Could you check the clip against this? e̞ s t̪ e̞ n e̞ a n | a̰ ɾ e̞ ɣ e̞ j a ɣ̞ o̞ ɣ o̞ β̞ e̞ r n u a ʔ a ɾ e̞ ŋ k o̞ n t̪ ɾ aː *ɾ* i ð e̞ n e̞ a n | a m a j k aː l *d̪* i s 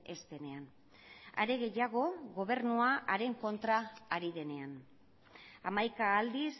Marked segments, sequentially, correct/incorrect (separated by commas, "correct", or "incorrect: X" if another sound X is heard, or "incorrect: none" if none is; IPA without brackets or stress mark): correct, correct